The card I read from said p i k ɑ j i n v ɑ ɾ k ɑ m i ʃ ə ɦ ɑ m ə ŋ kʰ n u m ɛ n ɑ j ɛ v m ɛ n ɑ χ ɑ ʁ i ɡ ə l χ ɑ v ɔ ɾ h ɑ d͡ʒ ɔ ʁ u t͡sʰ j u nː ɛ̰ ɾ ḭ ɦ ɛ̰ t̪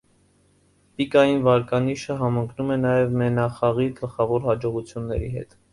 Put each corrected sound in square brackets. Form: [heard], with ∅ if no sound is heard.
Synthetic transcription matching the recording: p i k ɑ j i n v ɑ ɾ k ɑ [n] i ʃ ə ɦ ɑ m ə ŋ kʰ n u m ɛ n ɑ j ɛ v m ɛ n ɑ χ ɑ ʁ i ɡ ə l χ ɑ v ɔ ɾ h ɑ d͡ʒ ɔ ʁ u t͡sʰ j u nː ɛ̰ ɾ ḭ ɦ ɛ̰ t̪